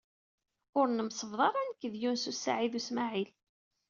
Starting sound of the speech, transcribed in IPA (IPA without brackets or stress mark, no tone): ʊ